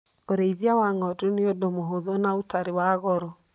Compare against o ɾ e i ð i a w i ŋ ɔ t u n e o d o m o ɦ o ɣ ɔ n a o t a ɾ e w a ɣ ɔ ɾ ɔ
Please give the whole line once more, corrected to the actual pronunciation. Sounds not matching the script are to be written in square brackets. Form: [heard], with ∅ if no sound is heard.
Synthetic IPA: o ɾ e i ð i a w [a] ŋ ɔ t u n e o d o m o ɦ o [ð] ɔ n a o t a ɾ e w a ɣ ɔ ɾ ɔ